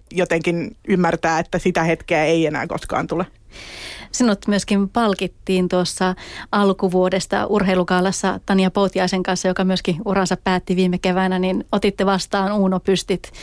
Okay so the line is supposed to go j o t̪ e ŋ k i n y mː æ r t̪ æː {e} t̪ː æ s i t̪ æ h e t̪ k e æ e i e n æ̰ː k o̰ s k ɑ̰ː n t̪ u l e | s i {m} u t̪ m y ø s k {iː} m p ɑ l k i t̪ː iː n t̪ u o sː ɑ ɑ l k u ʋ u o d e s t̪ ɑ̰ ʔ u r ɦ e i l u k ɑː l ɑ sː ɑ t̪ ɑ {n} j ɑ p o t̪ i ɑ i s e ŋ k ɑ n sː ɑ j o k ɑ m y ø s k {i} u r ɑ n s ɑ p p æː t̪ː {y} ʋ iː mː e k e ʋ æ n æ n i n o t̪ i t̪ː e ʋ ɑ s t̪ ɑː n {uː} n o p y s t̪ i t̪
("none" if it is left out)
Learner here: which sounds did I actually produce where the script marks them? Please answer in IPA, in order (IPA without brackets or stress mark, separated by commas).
e, n, i, n, i, i, uː